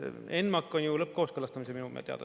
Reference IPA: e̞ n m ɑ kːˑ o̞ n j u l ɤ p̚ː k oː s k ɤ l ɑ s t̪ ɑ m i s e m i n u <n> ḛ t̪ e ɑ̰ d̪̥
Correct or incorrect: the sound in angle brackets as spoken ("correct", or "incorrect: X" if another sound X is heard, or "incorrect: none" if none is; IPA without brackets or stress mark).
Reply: incorrect: m